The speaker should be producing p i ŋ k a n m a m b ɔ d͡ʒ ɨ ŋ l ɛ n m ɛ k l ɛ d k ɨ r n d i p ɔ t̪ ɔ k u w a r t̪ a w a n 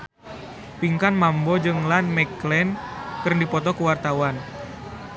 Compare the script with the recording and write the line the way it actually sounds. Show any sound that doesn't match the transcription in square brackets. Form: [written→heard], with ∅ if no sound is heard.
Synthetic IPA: p i ŋ k a n m a m b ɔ d͡ʒ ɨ ŋ l [ɛ→a] n m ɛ k l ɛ [d→n] k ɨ r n d i p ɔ t̪ ɔ k u w a r t̪ a w a n